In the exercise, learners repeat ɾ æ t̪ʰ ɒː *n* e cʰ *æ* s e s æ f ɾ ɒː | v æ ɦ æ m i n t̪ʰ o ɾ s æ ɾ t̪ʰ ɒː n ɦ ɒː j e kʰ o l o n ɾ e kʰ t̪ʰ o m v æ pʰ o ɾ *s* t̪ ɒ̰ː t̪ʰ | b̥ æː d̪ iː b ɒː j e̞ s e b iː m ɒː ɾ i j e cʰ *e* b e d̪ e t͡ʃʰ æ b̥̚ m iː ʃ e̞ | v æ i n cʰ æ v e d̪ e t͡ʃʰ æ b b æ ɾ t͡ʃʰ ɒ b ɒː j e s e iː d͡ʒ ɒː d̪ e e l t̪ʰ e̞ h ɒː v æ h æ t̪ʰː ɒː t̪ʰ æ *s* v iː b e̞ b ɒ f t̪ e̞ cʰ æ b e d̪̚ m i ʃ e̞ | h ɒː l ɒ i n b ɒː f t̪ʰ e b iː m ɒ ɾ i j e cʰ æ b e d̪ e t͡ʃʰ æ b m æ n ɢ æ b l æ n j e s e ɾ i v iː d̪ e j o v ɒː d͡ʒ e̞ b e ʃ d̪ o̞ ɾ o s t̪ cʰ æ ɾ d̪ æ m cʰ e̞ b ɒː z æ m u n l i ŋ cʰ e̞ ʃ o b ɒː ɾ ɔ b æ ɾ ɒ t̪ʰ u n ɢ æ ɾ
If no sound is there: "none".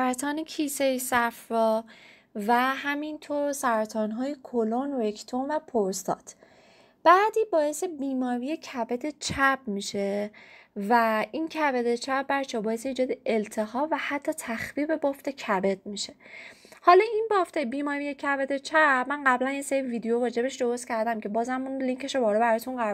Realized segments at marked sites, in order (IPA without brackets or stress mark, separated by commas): n, i, s, æ, x